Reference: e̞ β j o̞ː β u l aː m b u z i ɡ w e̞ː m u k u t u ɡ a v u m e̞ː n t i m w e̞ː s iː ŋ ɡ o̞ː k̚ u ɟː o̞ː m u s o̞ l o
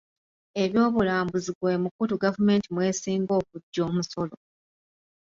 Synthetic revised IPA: e̞ β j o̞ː β u l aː m b u z i ɡ w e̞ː m u k u t u ɡ a v u m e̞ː n t i m w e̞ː s iː ŋ ɡ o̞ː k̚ u ɟː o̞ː m u s o̞ l o